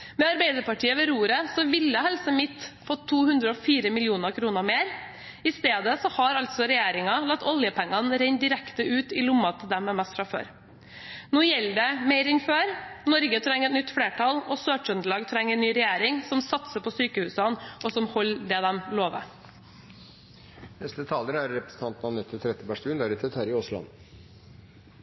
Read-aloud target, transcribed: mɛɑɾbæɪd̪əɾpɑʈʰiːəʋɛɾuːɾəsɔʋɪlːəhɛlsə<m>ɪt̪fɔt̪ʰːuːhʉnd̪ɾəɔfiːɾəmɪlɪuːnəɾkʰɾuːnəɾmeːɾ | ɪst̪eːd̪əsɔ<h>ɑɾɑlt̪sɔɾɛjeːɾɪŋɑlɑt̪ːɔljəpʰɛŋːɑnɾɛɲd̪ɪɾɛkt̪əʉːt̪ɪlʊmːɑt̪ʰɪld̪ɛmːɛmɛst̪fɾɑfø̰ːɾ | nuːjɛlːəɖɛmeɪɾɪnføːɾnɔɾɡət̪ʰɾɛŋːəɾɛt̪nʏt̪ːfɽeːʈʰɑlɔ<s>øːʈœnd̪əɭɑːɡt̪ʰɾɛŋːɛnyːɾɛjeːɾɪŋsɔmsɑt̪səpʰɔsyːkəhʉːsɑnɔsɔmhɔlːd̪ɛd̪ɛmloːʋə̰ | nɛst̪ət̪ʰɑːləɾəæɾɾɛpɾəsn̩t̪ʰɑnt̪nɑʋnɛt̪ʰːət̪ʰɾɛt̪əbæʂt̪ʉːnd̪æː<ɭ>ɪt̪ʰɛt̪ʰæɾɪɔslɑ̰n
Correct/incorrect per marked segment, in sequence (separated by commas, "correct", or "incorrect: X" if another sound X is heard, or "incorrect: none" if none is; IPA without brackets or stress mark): correct, correct, correct, incorrect: ɾ